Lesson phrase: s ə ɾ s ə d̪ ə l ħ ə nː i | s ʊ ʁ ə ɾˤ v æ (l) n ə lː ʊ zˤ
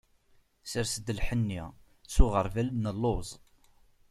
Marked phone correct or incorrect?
correct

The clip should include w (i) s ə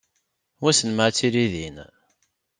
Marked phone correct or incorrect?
incorrect: æ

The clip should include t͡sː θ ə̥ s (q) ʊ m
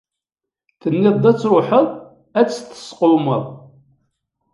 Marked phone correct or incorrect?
correct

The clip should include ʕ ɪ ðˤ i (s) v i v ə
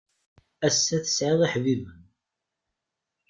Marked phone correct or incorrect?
incorrect: ħ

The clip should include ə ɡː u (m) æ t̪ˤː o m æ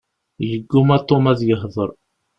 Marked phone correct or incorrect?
correct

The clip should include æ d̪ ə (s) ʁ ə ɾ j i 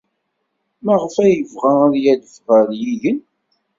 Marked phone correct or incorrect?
incorrect: f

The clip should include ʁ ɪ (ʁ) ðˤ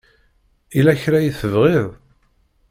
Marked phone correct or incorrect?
incorrect: none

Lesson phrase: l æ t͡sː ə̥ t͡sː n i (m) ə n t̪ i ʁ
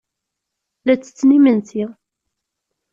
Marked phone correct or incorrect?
correct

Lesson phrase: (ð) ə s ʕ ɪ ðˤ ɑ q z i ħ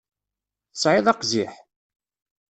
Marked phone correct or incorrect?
incorrect: θ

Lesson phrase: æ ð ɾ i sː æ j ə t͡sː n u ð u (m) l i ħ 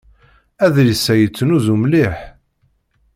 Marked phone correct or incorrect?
correct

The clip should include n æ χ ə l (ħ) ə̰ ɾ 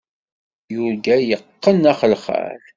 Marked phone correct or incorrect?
incorrect: χ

